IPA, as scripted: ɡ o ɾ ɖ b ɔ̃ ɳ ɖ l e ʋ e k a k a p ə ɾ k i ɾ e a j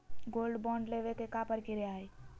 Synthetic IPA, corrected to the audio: ɡ o l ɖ b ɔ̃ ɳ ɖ l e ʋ e k e k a p ə ɾ k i ɾ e a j